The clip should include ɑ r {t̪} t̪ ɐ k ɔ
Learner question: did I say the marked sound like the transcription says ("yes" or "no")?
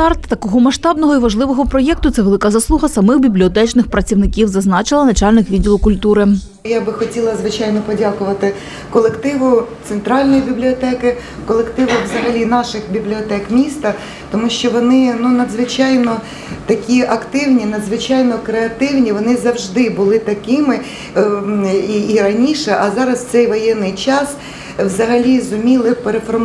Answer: yes